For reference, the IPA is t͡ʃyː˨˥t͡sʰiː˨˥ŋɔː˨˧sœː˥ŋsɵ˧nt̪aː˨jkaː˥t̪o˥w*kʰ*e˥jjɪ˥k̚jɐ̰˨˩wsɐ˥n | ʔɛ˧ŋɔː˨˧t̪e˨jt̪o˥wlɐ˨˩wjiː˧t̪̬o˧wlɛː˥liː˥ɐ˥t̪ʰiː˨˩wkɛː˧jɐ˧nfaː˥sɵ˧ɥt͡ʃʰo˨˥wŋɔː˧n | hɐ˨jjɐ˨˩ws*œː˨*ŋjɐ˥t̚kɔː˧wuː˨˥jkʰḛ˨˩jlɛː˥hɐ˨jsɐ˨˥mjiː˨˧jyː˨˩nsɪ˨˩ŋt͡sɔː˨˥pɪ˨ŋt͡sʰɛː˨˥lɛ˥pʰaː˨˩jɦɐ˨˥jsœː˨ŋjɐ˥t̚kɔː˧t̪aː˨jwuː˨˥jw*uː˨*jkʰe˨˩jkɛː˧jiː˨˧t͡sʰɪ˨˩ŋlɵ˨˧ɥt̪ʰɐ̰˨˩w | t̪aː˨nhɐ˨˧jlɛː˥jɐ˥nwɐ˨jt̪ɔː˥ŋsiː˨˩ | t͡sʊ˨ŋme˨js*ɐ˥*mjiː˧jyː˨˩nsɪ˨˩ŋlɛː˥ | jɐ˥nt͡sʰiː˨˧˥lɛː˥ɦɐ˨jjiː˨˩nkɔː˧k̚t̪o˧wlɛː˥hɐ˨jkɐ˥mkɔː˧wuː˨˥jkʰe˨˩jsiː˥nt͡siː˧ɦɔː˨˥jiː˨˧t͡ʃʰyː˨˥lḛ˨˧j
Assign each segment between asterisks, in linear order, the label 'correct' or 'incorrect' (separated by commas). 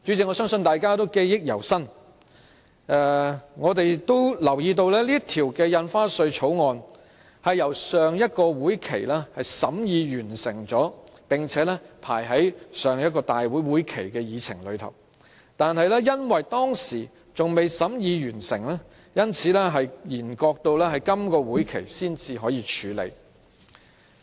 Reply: incorrect, correct, incorrect, incorrect